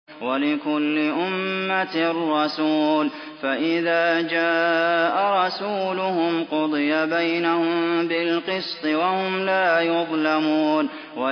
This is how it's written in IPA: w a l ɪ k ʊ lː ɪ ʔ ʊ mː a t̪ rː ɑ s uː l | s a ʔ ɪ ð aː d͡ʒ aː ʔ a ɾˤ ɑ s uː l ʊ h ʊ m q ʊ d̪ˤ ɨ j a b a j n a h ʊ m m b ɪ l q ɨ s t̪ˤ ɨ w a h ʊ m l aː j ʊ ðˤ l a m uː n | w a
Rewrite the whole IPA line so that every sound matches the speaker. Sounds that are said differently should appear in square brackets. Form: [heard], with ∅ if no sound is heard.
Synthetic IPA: w a l ɪ k ʊ lː ɪ ʔ ʊ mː a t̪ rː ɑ s uː l | [f] a ʔ ɪ ð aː d͡ʒ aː ʔ a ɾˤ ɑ s uː l ʊ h ʊ m q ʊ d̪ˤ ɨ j a b a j n a h ʊ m m b ɪ l q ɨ s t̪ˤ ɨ w a h ʊ m l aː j ʊ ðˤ l a m uː n | w a